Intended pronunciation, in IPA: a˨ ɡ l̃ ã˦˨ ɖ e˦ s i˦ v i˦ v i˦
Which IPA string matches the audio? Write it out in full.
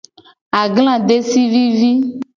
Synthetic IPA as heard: a˨ ɡ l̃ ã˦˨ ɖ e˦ s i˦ v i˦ v i˦